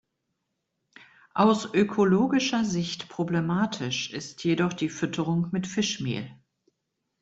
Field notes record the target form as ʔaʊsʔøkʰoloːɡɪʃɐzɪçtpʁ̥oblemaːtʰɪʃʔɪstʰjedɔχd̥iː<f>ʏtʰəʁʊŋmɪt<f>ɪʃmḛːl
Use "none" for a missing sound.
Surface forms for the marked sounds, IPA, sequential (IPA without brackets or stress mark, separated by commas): f, f